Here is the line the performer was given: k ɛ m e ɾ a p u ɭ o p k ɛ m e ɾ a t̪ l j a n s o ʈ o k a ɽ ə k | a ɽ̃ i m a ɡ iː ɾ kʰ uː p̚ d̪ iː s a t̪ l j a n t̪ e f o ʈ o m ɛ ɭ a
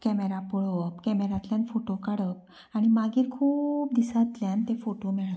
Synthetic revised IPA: k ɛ m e ɾ a p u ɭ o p k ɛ m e ɾ a t̪ l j a n f o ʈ o k a ɽ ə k | a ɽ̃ i m a ɡ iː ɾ kʰ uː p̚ d̪ i s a t̪ l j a n t̪ e f o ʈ o m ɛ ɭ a